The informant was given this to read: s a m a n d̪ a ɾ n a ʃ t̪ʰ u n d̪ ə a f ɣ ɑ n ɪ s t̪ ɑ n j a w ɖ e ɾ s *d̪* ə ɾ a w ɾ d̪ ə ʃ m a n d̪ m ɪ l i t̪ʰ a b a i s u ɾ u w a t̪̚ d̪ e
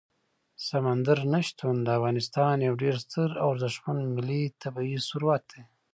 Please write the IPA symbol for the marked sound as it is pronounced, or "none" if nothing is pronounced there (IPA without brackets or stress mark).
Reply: t̪